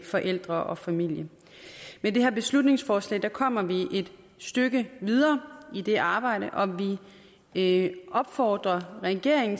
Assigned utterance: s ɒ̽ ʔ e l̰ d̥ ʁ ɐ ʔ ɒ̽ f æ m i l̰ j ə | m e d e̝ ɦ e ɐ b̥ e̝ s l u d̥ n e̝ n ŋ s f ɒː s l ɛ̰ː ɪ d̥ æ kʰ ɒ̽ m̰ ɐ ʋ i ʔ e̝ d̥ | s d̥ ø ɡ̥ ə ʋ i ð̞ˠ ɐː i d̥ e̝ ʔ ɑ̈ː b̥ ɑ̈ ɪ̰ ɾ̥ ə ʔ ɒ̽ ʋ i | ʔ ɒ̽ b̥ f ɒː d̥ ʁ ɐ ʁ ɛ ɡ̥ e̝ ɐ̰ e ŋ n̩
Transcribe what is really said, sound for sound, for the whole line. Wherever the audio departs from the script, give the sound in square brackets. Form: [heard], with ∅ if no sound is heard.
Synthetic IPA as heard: [f] ɒ̽ ʔ e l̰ d̥ ʁ ɐ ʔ ɒ̽ f æ m i l̰ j ə | m e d e̝ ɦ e ɐ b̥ e̝ s l u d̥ n e̝ [∅] ŋ s f ɒː s l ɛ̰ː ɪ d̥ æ kʰ ɒ̽ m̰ ɐ ʋ i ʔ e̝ d̥ | s d̥ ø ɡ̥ ə ʋ i ð̞ˠ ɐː i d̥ e̝ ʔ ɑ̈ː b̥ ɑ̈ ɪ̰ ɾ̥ ə ʔ ɒ̽ ʋ i | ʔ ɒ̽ b̥ f ɒː d̥ ʁ ɐ ʁ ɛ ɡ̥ e̝ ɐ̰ e ŋ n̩